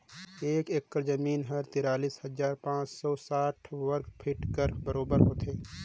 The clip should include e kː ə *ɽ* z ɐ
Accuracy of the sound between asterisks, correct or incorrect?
incorrect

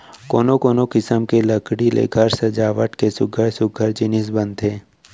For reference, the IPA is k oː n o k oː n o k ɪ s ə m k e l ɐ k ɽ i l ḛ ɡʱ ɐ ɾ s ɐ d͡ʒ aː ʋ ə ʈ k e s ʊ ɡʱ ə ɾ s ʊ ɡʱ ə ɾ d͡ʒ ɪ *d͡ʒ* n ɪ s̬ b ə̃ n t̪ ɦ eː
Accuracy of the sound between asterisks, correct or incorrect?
incorrect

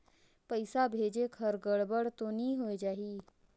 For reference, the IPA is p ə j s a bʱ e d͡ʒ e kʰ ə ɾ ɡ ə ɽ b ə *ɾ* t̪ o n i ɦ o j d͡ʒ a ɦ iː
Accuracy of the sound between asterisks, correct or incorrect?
incorrect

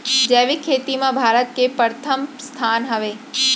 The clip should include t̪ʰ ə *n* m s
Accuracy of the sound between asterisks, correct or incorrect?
incorrect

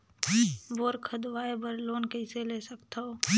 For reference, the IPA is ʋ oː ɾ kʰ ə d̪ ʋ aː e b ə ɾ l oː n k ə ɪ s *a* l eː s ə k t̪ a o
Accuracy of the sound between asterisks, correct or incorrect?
incorrect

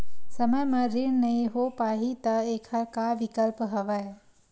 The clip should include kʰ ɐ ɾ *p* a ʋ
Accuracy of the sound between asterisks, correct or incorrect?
incorrect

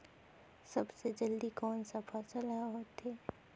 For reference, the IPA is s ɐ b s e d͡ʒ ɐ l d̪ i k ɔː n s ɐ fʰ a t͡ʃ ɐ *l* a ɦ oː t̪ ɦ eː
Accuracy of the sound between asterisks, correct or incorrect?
correct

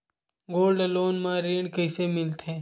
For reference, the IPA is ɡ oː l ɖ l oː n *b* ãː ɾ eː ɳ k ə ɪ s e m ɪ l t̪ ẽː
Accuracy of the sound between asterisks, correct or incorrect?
incorrect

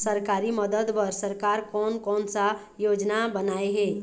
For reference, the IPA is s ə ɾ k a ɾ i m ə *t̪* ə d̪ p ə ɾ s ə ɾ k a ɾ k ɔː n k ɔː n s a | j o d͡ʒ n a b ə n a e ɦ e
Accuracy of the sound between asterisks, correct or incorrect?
incorrect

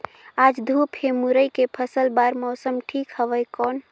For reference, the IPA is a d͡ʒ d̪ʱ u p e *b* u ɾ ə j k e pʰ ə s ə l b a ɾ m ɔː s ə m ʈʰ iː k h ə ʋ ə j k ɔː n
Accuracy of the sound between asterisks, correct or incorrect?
incorrect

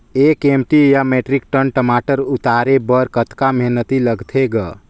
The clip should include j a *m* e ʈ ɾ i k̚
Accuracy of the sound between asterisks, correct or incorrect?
correct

